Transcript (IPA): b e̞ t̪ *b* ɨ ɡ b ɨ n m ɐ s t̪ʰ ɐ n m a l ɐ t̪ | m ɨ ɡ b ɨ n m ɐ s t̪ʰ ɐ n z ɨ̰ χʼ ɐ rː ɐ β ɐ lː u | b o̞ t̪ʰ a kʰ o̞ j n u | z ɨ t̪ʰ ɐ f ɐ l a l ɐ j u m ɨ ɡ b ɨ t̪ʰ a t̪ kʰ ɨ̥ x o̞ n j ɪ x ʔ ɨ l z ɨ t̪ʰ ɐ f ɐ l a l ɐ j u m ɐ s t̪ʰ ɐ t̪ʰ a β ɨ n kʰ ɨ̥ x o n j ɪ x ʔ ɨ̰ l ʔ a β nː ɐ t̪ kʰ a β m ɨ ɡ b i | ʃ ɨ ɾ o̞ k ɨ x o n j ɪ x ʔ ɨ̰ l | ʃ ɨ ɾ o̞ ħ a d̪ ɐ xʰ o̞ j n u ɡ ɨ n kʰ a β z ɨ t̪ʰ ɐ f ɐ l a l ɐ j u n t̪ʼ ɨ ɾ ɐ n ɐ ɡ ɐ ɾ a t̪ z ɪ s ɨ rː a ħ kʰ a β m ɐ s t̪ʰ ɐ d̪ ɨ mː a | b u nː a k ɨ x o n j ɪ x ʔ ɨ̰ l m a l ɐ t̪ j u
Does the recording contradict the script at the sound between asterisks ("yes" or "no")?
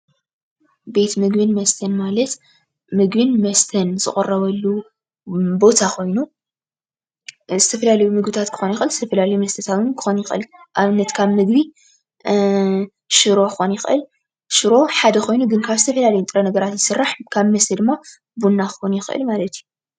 yes